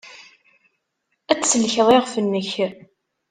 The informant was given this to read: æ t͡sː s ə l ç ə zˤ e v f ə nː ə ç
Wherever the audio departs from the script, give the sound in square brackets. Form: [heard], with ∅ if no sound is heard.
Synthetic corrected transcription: æ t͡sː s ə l ç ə [ðˤ] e [ʁ] f ə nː ə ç